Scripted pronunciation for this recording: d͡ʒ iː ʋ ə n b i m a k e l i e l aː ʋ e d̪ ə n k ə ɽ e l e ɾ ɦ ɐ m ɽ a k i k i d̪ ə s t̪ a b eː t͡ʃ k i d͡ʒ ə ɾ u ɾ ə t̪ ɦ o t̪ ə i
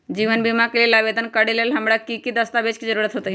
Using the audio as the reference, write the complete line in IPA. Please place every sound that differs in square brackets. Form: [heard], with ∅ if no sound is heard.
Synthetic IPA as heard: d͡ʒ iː ʋ ə n b i m a k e l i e l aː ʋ e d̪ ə n k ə ɽ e l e [l] ɦ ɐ m ɽ a k i k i d̪ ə s t̪ a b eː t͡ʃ k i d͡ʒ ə ɾ u ɾ ə t̪ ɦ o t̪ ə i